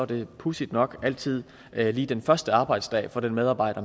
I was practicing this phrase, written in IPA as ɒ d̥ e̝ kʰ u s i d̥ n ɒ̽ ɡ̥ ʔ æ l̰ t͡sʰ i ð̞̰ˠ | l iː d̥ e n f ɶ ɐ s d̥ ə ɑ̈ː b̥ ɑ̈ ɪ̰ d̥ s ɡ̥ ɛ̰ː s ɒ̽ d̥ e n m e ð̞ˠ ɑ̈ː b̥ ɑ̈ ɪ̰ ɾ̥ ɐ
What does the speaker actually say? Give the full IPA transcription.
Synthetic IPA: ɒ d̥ e̝ pʰ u s i d̥ n ɒ̽ ɡ̥ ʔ æ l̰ t͡sʰ i ð̞̰ˠ | l iː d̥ e n f ɶ ɐ s d̥ ə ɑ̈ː b̥ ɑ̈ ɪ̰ d̥ s d̥ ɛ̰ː f ɒ̽ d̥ e n m e ð̞ˠ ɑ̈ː b̥ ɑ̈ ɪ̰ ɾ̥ ɐ